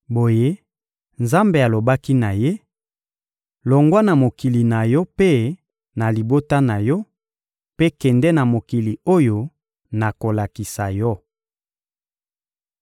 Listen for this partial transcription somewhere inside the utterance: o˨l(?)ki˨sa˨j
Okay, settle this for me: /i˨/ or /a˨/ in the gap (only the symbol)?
a˨